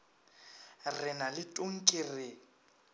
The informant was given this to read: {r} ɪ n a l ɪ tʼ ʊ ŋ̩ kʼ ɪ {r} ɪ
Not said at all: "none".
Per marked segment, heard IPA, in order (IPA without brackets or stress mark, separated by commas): r, r